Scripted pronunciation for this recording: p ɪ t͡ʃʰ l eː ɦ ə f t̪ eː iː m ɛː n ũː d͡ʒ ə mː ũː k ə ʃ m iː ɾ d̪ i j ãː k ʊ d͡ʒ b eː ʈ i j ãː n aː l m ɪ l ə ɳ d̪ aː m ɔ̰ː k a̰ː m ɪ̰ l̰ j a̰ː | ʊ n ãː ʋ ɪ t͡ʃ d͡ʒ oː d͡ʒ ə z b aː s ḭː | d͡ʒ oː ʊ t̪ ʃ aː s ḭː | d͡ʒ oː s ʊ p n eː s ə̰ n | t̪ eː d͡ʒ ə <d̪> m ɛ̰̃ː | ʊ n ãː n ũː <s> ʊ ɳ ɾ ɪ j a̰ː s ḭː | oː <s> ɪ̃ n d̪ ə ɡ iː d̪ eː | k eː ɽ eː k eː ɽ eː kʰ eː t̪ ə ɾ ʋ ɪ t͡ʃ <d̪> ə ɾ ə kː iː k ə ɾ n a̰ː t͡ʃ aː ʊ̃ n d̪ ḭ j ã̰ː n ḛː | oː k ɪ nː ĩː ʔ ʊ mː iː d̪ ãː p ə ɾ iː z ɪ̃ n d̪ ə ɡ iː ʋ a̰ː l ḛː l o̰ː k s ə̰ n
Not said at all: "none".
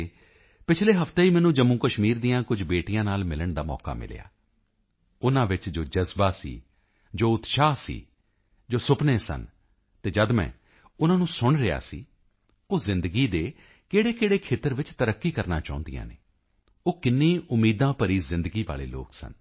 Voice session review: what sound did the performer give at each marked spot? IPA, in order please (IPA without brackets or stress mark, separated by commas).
d̪, s, z, t̪